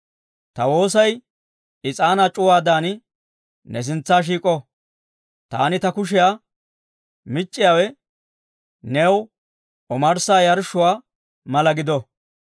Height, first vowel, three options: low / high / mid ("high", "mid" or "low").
low